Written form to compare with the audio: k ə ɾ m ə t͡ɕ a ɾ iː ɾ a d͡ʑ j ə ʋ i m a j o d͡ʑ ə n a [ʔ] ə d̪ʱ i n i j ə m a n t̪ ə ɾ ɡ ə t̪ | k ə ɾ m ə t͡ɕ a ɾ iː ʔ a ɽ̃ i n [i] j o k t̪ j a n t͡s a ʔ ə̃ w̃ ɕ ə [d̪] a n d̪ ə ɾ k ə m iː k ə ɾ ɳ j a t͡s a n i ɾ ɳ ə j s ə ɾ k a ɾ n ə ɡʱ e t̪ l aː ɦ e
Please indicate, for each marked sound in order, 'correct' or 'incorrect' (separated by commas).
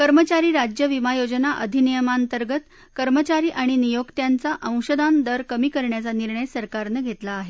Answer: correct, correct, correct